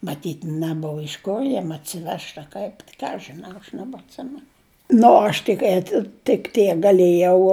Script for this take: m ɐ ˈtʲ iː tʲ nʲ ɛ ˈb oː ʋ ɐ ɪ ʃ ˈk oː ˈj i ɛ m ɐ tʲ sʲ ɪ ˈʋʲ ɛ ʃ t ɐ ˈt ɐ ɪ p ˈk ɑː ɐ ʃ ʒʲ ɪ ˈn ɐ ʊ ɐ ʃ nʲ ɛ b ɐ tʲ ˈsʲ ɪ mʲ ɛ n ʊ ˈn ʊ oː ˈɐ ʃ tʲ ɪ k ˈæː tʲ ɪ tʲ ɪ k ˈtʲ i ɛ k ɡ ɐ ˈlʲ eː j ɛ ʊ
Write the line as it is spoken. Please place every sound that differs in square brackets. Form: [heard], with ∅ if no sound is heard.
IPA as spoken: m ɐ ˈtʲ iː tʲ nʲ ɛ ˈb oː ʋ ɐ ɪ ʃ ˈk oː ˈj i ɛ m ɐ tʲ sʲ ɪ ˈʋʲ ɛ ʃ t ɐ [ˈk] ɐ ɪ p ˈk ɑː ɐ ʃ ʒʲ ɪ ˈn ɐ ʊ ɐ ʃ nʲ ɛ b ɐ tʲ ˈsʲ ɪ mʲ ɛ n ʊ ˈn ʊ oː ˈɐ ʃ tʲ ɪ k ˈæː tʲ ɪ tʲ ɪ k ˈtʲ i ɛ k ɡ ɐ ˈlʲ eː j ɛ ʊ